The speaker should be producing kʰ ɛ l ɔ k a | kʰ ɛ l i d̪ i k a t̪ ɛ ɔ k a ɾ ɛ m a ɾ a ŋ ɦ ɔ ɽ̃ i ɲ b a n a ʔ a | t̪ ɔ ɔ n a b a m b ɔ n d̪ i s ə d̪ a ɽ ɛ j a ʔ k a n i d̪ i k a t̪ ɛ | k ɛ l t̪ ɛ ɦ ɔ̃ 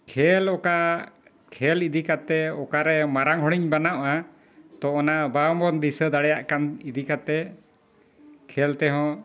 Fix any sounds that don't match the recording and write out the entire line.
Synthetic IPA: kʰ ɛ l ɔ k a | kʰ ɛ l i d̪ i k a t̪ ɛ ɔ k a ɾ ɛ m a ɾ a ŋ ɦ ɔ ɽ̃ i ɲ b a n a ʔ a | t̪ ɔ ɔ n a b a m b ɔ n d̪ i s ə d̪ a ɽ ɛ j a ʔ k a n i d̪ i k a t̪ ɛ | kʰ ɛ l t̪ ɛ ɦ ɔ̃